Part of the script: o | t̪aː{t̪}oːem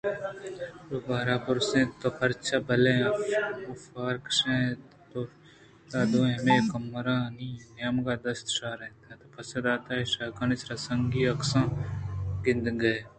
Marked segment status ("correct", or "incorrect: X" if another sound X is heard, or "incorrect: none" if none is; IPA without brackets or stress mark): incorrect: d̪